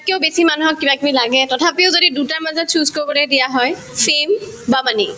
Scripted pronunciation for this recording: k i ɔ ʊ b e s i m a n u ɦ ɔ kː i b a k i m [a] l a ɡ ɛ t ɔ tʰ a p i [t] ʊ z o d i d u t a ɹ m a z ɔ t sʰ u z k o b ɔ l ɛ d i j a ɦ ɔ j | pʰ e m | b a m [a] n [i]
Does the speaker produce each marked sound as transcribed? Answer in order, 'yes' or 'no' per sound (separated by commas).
no, no, yes, yes